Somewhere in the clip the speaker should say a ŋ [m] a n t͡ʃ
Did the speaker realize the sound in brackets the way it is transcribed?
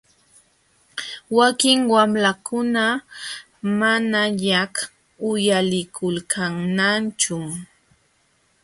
no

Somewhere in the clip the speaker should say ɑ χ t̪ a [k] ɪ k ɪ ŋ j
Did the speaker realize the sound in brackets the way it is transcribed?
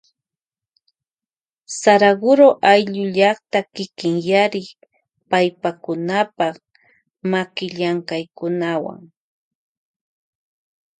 yes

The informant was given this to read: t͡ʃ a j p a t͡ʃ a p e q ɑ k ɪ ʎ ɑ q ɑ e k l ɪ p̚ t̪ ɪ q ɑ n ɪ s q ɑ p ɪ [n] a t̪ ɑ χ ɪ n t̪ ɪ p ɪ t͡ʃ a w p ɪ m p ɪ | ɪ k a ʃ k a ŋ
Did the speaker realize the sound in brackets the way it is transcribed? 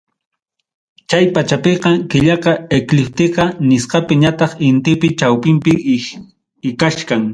no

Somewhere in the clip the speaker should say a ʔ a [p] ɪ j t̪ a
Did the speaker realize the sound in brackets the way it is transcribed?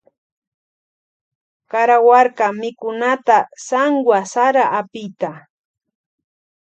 yes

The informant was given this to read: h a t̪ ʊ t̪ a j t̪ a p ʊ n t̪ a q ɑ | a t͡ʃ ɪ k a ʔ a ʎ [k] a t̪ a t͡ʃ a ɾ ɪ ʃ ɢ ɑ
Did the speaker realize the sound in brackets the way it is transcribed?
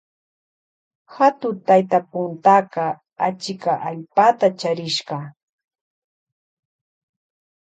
no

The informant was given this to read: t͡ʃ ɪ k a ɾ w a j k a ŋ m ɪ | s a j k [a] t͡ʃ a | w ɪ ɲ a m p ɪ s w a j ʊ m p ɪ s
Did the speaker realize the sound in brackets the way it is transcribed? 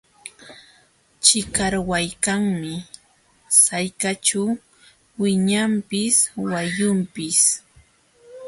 yes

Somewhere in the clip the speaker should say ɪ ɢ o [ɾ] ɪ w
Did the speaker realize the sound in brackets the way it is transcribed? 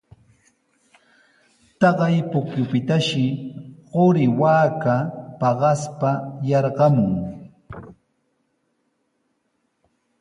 yes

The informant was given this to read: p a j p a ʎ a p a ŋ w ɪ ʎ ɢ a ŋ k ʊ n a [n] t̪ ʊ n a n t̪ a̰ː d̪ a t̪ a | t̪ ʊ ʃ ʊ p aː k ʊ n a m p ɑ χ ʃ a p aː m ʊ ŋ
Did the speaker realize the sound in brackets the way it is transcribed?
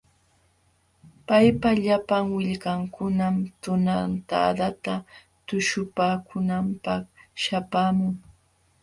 no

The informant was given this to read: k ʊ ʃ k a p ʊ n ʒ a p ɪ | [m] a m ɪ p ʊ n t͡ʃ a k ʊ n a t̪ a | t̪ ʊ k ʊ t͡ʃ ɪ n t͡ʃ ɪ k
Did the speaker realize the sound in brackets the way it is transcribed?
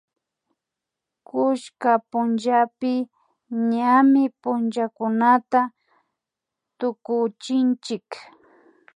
no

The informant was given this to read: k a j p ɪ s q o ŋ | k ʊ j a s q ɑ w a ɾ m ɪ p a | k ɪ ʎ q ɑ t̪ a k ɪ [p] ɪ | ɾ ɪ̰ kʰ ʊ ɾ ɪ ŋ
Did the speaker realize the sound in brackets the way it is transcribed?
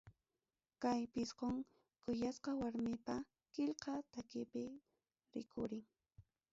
yes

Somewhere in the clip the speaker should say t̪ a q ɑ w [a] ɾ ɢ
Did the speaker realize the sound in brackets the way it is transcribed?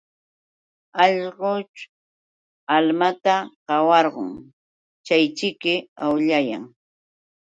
no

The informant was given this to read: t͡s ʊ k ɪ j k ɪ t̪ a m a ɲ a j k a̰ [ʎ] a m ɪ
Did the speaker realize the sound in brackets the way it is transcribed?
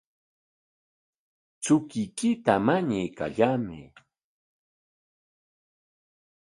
yes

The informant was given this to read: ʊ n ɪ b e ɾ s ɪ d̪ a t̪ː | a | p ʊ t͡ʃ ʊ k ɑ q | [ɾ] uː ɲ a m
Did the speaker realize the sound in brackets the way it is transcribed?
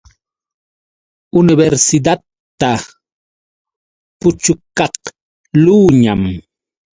no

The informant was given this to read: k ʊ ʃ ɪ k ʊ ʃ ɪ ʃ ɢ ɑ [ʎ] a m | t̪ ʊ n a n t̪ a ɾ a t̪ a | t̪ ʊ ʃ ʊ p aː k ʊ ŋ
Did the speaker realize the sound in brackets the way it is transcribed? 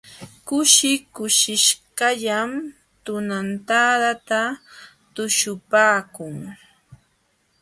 yes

